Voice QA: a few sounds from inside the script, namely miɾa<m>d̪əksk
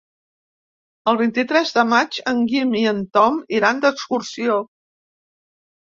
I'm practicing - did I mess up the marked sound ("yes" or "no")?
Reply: yes